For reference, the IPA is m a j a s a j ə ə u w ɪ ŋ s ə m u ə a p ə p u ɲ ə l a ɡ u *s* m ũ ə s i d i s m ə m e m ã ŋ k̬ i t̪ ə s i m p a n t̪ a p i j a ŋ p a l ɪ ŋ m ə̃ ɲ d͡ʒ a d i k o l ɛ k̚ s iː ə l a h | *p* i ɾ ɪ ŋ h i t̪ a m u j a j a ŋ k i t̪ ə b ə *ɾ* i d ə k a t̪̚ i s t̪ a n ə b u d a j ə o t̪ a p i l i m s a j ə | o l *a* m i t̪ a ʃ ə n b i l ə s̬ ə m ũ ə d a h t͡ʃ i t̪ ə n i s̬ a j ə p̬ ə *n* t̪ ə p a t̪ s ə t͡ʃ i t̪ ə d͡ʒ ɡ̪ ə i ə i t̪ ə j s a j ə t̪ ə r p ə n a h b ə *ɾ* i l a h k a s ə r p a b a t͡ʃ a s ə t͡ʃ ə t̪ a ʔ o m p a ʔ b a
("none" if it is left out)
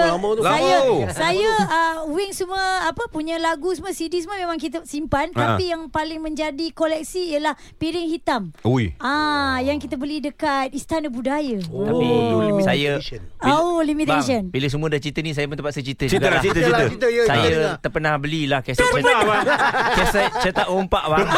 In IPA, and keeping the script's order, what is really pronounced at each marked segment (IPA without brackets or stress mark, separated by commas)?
s, p, l, i, n, l